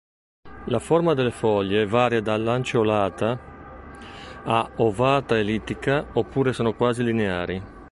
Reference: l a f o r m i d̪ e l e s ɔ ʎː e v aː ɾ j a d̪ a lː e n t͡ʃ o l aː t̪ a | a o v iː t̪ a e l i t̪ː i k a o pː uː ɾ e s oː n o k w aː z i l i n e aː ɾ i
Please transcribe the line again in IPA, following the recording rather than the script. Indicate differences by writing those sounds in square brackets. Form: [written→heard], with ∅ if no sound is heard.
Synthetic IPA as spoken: l a f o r m [i→a] d̪ e l e [s→f] ɔ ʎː e v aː ɾ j a d̪ a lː [e→a] n t͡ʃ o l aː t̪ a | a o v [iː→aː] t̪ a e l i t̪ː i k a o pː uː ɾ e s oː n o k w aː z i l i n e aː ɾ i